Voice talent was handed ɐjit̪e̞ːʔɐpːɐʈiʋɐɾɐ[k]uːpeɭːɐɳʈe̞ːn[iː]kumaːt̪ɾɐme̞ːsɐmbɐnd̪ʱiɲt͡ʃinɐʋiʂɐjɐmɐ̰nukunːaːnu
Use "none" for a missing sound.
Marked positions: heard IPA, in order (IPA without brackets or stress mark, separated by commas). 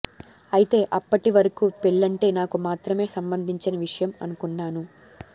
k, aː